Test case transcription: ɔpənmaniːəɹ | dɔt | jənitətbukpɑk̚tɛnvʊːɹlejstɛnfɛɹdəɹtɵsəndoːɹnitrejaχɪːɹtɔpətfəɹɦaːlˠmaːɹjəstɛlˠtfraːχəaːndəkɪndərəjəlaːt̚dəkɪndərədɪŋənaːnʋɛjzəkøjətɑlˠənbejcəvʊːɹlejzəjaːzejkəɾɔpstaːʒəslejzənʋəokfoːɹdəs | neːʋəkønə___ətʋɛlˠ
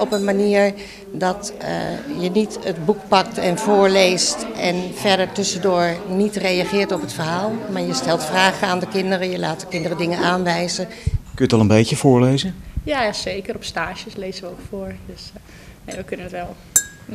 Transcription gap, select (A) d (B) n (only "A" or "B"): B